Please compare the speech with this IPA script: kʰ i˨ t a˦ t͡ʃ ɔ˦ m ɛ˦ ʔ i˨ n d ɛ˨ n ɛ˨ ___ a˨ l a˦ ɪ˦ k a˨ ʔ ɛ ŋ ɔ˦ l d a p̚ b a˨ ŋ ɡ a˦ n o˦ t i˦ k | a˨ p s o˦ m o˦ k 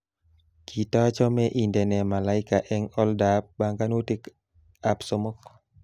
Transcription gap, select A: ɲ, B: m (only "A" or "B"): B